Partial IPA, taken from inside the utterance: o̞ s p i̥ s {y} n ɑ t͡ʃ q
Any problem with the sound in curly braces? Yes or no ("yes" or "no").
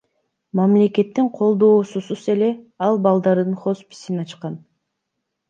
yes